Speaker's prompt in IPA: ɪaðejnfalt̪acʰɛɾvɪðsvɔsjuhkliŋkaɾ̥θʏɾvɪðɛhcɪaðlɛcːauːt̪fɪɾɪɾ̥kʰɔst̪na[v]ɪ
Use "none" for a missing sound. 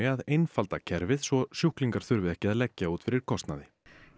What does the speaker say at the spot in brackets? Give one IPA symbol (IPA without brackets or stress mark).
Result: ð